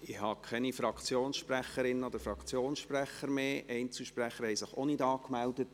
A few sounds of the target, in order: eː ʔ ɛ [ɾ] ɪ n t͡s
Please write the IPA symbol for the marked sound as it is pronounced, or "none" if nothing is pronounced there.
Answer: none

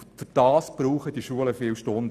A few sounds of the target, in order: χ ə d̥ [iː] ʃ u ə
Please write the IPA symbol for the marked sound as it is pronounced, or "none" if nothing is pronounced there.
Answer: i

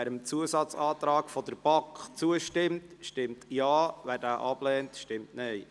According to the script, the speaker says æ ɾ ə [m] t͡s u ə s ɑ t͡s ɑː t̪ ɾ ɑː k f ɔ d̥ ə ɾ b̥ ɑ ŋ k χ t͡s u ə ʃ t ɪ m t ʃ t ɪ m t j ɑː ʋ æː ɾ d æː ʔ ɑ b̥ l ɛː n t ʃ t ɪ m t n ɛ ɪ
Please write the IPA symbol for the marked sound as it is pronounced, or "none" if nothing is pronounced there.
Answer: m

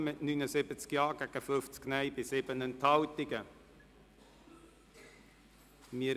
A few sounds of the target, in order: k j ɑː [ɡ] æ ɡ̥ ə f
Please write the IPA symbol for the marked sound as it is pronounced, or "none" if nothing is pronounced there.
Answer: ɡ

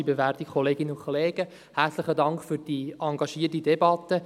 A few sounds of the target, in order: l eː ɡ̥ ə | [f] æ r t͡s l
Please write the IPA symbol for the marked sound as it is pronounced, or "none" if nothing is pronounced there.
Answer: h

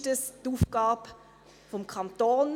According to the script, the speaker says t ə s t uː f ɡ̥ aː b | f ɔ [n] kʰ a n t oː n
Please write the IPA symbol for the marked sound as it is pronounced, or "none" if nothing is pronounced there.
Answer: m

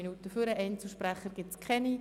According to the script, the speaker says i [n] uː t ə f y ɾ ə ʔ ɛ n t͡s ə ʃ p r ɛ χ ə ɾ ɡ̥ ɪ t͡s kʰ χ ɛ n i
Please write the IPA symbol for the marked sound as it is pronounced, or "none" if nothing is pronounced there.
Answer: n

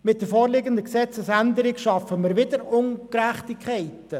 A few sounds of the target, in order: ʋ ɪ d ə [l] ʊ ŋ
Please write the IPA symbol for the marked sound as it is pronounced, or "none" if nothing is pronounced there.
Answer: ɾ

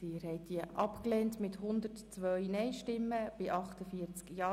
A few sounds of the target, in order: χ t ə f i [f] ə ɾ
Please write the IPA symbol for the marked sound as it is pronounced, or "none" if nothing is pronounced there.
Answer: none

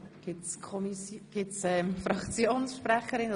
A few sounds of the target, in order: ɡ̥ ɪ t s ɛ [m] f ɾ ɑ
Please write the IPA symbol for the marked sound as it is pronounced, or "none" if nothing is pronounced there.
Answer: m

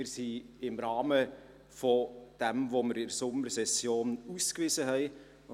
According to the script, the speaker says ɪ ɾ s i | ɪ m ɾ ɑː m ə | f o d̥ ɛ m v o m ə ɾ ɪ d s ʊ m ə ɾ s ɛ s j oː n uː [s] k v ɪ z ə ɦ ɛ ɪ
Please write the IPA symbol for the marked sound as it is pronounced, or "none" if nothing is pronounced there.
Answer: s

